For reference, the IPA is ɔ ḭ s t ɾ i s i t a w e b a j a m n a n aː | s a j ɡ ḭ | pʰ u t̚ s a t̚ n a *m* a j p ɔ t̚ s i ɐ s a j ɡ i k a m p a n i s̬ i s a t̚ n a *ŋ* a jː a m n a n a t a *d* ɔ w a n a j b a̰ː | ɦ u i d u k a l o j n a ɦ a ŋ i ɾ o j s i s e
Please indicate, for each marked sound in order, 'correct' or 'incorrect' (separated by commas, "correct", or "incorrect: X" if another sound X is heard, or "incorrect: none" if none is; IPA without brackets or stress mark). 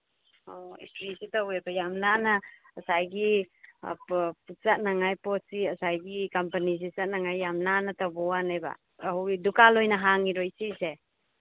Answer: incorrect: ŋ, correct, incorrect: b